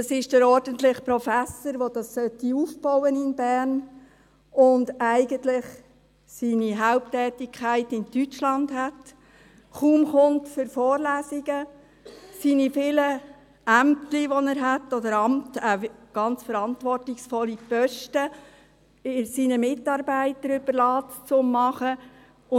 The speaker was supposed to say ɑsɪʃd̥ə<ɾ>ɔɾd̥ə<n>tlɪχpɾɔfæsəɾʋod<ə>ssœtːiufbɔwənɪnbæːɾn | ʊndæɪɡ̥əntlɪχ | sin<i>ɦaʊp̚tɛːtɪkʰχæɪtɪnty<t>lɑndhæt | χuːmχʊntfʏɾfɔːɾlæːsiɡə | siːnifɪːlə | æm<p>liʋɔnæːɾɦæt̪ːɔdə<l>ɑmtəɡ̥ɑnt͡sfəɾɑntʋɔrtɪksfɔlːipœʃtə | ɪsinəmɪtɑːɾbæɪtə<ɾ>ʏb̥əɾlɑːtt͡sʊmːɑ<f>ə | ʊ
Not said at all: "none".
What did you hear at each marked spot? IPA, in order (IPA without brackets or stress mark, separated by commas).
ɾ, n, ɑ, i, t͡ʃ, t, ɾ, ɾ, χ